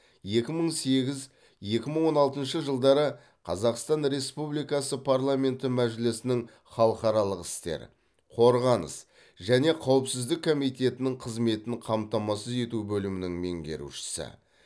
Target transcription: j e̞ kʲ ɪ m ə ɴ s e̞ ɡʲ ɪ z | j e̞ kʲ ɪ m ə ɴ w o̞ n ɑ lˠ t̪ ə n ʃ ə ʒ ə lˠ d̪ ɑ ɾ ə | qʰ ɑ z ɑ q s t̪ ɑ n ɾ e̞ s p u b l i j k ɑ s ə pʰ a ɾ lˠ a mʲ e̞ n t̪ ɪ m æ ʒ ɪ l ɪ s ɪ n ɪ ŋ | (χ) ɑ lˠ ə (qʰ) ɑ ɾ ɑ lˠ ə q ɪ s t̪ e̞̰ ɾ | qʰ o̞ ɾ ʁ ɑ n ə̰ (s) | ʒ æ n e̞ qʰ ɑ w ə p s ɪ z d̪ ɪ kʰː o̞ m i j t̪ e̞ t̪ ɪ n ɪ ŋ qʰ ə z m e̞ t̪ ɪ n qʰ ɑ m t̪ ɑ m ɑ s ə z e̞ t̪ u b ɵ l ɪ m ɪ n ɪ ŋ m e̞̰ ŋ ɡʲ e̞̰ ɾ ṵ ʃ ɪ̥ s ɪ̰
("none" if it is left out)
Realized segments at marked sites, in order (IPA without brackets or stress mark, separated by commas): χ, q, s